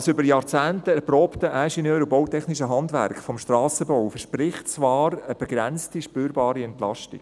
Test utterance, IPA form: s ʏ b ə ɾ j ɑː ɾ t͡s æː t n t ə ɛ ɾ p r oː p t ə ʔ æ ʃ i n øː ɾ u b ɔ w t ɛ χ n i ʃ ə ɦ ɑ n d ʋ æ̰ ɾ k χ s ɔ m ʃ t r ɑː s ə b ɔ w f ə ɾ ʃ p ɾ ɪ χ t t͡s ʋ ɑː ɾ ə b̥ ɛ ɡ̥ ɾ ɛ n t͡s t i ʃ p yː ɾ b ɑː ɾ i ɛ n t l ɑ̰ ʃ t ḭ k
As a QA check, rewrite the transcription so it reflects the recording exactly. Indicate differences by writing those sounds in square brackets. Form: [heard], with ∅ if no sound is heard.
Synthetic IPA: s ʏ b ə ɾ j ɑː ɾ t͡s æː [∅] n t ə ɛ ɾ p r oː p t ə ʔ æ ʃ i n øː ɾ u b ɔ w t ɛ χ n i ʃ ə ɦ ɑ n d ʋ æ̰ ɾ k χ [f] ɔ m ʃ t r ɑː s ə b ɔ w f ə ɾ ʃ p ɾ ɪ χ t t͡s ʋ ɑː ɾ ə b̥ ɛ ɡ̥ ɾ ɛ n t͡s t i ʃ p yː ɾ b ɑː ɾ i ɛ n t l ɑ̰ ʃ t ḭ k